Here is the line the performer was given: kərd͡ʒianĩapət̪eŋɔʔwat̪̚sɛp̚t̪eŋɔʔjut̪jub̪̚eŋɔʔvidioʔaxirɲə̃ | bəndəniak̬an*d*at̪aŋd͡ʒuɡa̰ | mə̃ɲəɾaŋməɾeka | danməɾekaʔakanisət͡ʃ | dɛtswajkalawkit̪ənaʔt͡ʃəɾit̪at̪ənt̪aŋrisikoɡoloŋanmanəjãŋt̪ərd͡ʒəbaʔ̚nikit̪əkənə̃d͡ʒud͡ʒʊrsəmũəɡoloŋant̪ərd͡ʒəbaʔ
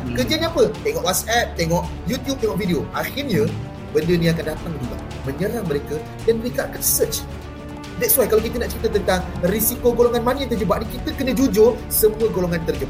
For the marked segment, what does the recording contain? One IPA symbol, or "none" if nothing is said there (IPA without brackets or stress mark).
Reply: d